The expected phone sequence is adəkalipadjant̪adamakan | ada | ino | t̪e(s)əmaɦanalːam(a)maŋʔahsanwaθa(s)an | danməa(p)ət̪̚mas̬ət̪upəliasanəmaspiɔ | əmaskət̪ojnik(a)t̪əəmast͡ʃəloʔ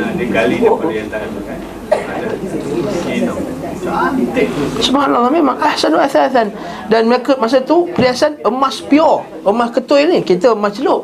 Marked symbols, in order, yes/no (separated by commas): yes, no, no, no, no